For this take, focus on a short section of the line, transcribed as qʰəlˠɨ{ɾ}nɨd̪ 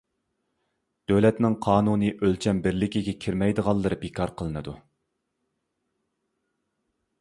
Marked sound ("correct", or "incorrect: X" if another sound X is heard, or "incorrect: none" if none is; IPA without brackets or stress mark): incorrect: none